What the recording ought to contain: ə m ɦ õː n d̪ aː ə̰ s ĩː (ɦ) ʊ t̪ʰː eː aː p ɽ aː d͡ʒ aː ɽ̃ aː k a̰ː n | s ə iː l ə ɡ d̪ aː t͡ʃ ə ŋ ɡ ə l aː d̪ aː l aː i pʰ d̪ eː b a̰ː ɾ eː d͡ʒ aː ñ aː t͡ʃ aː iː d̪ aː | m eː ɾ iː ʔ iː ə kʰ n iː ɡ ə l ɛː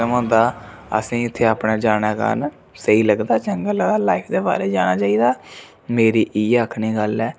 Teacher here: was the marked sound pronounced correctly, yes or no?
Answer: no